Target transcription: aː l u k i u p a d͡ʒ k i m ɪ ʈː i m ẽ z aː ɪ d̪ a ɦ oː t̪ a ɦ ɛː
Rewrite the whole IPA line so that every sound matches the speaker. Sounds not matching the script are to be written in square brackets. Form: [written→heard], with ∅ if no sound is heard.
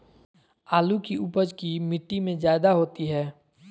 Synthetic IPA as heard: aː l u k i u p [a→ə] d͡ʒ k i m ɪ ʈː i m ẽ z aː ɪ d̪ a ɦ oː t̪ [a→i] ɦ ɛː